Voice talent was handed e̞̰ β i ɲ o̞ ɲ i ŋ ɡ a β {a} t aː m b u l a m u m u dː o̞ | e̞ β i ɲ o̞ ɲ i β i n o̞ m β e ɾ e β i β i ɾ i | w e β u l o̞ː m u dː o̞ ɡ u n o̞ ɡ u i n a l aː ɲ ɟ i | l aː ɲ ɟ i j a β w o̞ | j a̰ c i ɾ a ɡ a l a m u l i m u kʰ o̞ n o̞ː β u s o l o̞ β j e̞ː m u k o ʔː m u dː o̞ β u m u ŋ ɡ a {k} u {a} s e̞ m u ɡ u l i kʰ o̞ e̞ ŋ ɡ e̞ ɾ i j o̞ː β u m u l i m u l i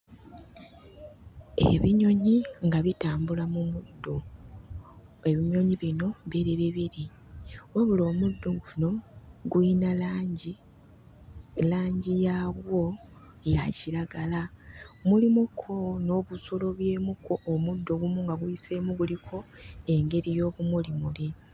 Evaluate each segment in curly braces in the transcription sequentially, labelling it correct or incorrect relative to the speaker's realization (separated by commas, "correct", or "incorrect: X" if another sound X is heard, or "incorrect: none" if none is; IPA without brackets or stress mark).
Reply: incorrect: i, incorrect: ɡ, incorrect: i